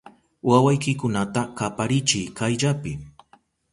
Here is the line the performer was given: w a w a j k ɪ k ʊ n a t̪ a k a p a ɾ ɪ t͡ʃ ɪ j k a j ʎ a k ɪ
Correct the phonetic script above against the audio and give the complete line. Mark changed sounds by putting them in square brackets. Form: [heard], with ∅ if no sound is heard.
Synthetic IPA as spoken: w a w a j k ɪ k ʊ n a t̪ a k a p a ɾ ɪ t͡ʃ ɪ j k a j ʎ a [p] ɪ